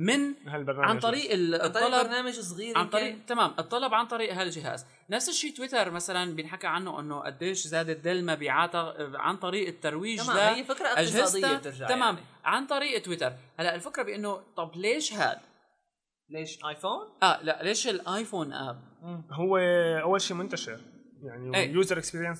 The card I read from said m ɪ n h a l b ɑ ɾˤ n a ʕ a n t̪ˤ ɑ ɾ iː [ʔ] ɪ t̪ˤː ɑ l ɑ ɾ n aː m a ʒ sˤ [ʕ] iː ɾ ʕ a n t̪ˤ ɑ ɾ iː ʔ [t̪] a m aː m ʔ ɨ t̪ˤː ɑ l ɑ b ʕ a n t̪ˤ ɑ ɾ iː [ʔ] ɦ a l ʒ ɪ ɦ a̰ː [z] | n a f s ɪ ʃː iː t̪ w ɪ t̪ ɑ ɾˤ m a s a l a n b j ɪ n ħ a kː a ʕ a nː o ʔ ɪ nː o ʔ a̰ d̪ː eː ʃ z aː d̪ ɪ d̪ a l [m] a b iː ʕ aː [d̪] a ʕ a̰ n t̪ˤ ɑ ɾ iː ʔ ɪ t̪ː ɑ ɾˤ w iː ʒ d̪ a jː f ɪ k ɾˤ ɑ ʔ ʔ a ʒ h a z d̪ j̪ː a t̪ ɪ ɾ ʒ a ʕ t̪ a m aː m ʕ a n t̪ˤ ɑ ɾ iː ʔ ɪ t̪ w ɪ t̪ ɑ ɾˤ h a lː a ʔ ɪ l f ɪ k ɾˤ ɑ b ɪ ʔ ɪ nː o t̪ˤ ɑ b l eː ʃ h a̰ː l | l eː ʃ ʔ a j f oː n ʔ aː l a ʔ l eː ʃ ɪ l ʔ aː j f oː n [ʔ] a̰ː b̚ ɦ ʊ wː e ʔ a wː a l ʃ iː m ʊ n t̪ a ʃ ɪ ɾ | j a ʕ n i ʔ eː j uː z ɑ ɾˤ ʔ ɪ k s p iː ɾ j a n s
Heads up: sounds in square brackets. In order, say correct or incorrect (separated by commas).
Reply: correct, incorrect, correct, correct, correct, correct, incorrect, correct